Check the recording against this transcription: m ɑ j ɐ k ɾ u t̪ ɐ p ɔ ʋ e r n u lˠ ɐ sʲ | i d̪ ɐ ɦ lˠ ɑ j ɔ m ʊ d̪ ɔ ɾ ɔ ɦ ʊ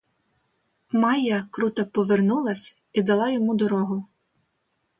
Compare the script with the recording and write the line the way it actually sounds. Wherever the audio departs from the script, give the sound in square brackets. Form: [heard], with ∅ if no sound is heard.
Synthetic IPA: m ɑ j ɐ k ɾ u t̪ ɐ p ɔ ʋ e r n u lˠ ɐ sʲ | i d̪ ɐ [∅] lˠ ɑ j ɔ m [u] d̪ ɔ ɾ ɔ ɦ ʊ

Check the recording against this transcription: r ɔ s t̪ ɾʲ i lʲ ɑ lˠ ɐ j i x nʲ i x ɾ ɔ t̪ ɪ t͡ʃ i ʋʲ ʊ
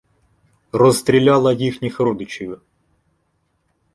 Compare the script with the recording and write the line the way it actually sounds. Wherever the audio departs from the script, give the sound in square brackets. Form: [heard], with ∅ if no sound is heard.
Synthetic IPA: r ɔ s t̪ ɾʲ i lʲ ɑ lˠ ɐ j i x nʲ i x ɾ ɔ [d̪] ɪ t͡ʃ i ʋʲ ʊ

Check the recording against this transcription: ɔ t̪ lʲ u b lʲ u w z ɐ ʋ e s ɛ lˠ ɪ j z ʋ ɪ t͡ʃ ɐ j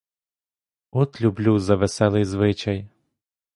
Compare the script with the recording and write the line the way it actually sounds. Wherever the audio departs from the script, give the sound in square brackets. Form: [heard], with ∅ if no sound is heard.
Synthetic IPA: ɔ t̪ lʲ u b lʲ u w z ɐ ʋ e s ɛ lˠ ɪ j z ʋ ɪ t͡ʃ ɐ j

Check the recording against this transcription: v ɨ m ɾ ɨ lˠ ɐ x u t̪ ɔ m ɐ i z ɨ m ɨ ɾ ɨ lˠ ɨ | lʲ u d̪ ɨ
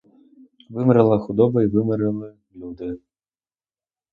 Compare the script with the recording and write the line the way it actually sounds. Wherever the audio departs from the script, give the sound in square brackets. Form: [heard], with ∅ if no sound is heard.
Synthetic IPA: v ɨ m ɾ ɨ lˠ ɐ x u [d̪] ɔ [b] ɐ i [v] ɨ m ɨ ɾ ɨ lˠ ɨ | lʲ u d̪ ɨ

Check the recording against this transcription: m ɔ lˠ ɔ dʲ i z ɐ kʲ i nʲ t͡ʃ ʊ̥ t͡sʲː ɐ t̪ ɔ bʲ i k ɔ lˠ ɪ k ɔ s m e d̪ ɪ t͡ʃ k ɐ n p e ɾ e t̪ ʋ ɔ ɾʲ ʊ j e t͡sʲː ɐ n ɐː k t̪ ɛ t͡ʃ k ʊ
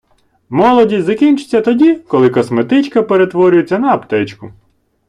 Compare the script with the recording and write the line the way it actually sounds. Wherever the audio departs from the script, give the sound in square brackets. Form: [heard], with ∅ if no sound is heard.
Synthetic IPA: m ɔ lˠ ɔ dʲ i z ɐ kʲ i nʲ t͡ʃ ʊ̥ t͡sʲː ɐ t̪ ɔ [dʲ] i k ɔ lˠ ɪ k ɔ s m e [t̪] ɪ t͡ʃ k ɐ [∅] p e ɾ e t̪ ʋ ɔ ɾʲ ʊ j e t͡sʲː ɐ n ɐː [p] t̪ ɛ t͡ʃ k ʊ

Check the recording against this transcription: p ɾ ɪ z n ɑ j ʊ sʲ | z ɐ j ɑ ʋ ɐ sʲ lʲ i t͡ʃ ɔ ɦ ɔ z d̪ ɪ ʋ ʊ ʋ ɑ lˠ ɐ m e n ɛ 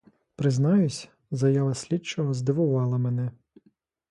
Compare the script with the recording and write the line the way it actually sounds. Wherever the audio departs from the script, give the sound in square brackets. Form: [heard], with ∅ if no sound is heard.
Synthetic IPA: p ɾ ɪ z n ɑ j ʊ sʲ | z ɐ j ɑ ʋ ɐ sʲ lʲ i t͡ʃ ɔ ɦ ɔ z d̪ ɪ ʋ ʊ ʋ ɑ lˠ ɐ m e n ɛ

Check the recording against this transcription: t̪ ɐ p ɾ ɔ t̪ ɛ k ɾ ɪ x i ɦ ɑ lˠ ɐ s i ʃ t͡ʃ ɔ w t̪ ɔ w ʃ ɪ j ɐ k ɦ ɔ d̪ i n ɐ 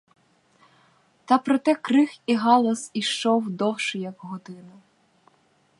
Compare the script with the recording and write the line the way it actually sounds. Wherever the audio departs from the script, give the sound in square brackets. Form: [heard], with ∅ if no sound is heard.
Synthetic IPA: t̪ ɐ p ɾ ɔ t̪ ɛ k ɾ ɪ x i ɦ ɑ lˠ ɐ s i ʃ t͡ʃ ɔ w [d̪] ɔ w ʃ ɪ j ɐ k ɦ ɔ d̪ [ɪ] n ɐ

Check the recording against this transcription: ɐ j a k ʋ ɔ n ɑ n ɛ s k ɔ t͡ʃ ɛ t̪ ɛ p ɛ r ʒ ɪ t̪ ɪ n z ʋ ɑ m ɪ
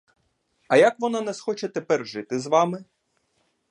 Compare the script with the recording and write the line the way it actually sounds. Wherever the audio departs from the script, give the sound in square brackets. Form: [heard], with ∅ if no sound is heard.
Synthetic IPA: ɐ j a k ʋ ɔ n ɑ n ɛ s [x] ɔ t͡ʃ ɛ t̪ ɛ p ɛ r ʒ ɪ t̪ ɪ [∅] z ʋ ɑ m ɪ

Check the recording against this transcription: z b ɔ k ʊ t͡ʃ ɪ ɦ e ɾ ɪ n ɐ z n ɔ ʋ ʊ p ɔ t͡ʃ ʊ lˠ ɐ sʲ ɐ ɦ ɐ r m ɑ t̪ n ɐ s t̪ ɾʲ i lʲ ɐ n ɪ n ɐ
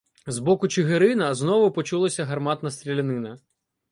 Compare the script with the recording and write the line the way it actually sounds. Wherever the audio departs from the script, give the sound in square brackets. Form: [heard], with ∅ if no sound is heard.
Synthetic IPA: z b ɔ k ʊ t͡ʃ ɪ ɦ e ɾ ɪ n ɐ z n ɔ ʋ ʊ p ɔ t͡ʃ [u] lˠ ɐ sʲ ɐ ɦ ɐ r m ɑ t̪ n ɐ s t̪ ɾʲ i lʲ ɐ n ɪ n ɐ

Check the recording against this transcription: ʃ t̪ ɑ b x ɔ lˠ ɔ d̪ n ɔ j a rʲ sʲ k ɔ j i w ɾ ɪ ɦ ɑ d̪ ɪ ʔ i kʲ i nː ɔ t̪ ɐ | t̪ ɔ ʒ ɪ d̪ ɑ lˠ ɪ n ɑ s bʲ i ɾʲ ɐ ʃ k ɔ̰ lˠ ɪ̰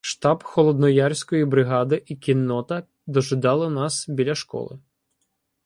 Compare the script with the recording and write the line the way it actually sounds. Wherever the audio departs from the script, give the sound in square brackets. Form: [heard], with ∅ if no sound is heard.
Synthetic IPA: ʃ t̪ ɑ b x ɔ lˠ ɔ d̪ n ɔ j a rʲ sʲ k ɔ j i [b] ɾ ɪ ɦ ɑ d̪ ɪ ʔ i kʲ i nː ɔ t̪ ɐ | [d̪] ɔ ʒ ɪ d̪ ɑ lˠ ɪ n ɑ s bʲ i [lʲ] ɐ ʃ k ɔ̰ lˠ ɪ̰

